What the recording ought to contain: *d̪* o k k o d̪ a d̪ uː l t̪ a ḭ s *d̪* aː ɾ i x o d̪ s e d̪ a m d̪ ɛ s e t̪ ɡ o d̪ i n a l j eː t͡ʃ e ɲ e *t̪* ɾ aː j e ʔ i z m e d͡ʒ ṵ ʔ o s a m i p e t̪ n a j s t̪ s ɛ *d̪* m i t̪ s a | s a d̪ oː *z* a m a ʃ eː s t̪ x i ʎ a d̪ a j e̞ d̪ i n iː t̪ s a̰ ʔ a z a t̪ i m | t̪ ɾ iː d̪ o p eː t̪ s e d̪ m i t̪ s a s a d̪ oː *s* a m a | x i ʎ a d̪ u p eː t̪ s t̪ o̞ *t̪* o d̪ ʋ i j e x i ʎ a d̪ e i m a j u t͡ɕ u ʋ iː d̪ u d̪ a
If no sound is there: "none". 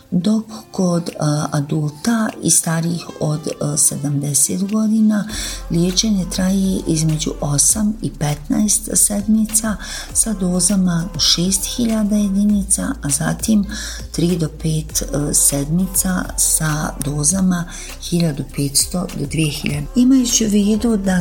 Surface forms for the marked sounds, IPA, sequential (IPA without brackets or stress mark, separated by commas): d̪, t̪, t̪, d̪, z, z, d̪